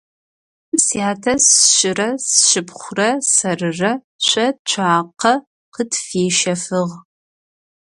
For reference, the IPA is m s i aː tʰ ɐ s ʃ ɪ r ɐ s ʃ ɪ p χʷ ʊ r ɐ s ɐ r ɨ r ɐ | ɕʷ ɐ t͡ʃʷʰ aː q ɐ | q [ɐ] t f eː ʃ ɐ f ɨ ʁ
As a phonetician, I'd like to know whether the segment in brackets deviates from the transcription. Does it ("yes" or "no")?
yes